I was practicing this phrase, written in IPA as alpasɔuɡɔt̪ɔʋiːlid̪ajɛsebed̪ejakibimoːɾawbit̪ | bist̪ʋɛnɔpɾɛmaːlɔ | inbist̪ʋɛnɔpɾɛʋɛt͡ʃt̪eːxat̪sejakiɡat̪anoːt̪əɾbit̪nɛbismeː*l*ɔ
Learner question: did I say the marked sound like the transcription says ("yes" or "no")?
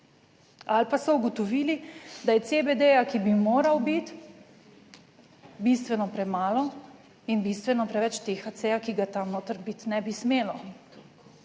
yes